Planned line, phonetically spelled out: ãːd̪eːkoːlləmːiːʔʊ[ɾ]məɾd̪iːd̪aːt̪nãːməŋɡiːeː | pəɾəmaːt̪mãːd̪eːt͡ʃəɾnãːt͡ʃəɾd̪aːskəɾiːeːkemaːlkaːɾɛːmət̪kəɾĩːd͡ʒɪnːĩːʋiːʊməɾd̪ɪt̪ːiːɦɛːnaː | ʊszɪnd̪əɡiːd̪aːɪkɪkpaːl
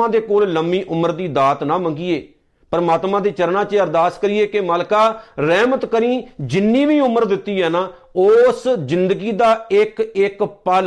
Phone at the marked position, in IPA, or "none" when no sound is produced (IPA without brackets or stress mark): none